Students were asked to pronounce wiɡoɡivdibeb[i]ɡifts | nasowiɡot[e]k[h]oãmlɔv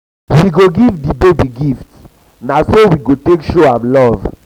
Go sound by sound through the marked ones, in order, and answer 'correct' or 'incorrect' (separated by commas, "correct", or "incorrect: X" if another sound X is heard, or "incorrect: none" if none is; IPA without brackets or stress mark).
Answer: correct, correct, incorrect: ʃ